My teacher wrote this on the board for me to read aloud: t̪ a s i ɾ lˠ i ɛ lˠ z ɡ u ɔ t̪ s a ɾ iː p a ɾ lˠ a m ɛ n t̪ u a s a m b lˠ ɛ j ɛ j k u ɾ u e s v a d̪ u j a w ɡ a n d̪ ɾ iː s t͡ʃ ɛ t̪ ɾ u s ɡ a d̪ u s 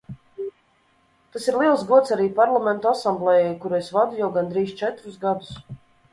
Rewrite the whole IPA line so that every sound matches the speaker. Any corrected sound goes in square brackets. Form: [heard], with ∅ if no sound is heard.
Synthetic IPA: t̪ a s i ɾ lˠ i ɛ lˠ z ɡ u ɔ t̪ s a ɾ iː p a ɾ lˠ a m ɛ n t̪ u a s a m b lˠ ɛ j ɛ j k u ɾ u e s v a d̪ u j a w ɡ a n d̪ ɾ iː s t͡ʃ ɛ t̪ ɾ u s ɡ a d̪ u s